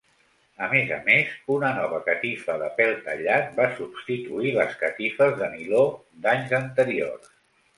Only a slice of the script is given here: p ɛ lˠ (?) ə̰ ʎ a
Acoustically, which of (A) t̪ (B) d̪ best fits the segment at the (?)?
A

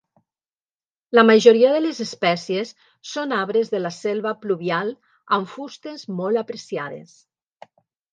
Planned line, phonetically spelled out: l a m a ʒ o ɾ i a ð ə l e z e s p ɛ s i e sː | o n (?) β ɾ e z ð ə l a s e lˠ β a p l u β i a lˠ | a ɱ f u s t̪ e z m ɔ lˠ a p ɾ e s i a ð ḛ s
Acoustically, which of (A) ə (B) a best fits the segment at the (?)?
B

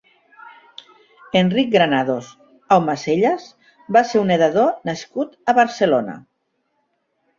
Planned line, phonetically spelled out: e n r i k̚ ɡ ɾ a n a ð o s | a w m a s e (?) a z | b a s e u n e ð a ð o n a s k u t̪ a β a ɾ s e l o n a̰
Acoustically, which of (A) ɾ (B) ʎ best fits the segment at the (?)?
B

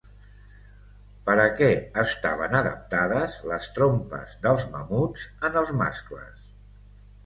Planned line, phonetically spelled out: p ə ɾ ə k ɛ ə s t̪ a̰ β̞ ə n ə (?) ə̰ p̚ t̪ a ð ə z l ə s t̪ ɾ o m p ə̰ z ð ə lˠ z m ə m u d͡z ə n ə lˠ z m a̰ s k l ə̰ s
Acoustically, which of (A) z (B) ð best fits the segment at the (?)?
B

